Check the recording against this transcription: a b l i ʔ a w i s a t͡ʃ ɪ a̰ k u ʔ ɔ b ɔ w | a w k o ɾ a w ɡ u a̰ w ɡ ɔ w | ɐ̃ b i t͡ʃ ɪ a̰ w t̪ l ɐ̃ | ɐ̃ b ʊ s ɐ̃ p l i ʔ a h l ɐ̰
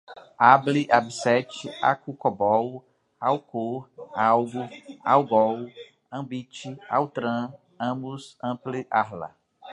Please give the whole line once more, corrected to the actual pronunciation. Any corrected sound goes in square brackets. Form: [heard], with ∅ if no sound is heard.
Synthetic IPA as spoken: a b l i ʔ a [b] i s [ɛ] t͡ʃ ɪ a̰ k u [k] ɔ b ɔ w | a w k o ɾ a w ɡ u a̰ w ɡ ɔ w | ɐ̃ b i t͡ʃ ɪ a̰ w t̪ [ɾ] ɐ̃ | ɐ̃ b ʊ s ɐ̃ p l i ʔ a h l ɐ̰